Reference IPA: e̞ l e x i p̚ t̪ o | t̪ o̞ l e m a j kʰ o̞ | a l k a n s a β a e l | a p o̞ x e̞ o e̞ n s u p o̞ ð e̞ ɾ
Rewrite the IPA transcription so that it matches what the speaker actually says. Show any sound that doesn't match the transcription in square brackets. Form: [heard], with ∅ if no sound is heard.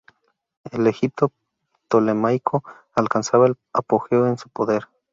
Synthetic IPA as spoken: e̞ l e x i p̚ t̪ o | t̪ o̞ l e m a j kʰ o̞ | a l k a n s a β a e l | a p o̞ x e̞ o e̞ n s u p o̞ ð e̞ ɾ